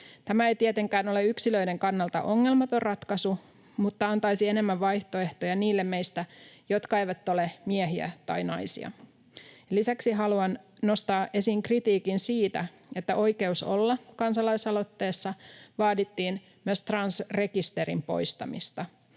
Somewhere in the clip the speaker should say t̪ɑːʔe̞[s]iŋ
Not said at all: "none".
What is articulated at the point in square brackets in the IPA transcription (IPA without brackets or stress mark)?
s